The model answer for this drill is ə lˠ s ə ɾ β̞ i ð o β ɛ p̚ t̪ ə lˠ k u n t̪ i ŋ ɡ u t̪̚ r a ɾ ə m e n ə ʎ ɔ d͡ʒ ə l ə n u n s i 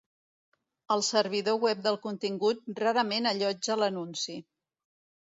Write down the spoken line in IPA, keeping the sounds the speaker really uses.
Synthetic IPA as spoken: ə lˠ s ə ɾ β̞ i ð o w ɛ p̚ d̪ ə lˠ k u n t̪ i ŋ ɡ u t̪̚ r a ɾ ə m e n ə ʎ ɔ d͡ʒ ə l ə n u n s i